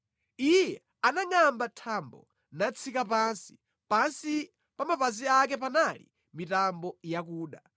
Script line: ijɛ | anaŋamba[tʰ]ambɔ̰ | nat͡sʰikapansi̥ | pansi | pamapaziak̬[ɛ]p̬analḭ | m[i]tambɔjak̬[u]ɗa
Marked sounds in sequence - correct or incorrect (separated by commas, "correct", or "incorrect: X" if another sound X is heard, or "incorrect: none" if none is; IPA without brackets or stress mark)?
correct, correct, correct, incorrect: uː